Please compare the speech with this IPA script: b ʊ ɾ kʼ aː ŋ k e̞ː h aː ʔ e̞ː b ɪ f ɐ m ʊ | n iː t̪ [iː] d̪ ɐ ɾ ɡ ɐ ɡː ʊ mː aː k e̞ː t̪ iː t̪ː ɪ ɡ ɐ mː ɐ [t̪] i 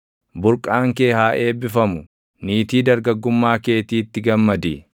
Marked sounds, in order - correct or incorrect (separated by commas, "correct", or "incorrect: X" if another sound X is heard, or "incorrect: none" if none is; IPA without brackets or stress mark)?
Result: correct, incorrect: d̪